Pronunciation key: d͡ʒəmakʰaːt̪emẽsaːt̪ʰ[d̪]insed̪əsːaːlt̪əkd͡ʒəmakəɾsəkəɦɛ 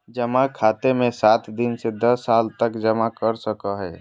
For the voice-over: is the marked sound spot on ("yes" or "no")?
yes